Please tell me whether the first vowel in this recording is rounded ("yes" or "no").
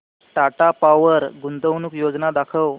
no